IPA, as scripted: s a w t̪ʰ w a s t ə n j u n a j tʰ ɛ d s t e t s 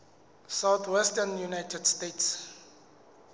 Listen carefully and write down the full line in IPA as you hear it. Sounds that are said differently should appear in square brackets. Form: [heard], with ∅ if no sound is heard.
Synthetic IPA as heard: s a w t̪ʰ w [ɛ] s t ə n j u n a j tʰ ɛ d s t e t s